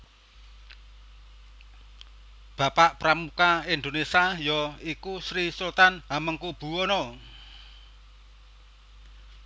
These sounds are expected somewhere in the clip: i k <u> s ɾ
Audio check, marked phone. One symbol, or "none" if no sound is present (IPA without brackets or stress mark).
u